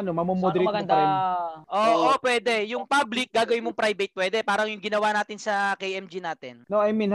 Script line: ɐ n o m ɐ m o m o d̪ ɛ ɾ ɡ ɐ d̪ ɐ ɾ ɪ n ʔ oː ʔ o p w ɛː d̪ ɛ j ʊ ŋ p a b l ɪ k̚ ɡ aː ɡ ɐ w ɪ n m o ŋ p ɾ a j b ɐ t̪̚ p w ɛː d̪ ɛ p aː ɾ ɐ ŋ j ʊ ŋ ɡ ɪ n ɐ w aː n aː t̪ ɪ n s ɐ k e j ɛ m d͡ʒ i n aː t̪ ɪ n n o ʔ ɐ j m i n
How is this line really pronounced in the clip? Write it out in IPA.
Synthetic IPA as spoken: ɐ n o m ɐ m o m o d̪ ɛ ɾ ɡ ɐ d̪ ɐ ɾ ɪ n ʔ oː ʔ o p w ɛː d̪ ɛ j ʊ ŋ p a b l ɪ k̚ ɡ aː ɡ ɐ w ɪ n m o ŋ p ɾ a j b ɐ t̪̚ p w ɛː d̪ ɛ p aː ɾ ɐ ŋ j ʊ ŋ ɡ ɪ n ɐ w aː n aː t̪ ɪ n s ɐ k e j ɛ m d͡ʒ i n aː t̪ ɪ n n o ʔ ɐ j m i n